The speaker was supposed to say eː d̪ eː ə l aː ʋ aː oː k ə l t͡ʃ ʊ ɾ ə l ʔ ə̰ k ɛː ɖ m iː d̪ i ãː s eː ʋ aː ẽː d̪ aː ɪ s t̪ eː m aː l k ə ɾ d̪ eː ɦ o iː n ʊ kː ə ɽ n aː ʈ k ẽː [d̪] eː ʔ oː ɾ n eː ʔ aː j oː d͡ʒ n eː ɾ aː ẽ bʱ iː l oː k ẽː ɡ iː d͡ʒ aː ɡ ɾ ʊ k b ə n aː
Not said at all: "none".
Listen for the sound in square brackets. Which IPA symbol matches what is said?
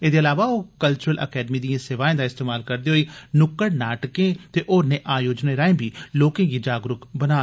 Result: t̪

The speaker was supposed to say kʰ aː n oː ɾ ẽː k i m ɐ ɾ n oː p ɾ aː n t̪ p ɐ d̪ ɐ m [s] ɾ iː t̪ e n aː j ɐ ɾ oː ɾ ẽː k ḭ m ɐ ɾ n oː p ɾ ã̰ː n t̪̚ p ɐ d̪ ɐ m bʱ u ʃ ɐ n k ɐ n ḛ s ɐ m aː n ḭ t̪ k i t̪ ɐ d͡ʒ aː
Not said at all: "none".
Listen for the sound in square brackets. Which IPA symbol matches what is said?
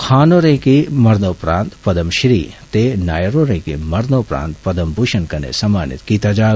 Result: ʃ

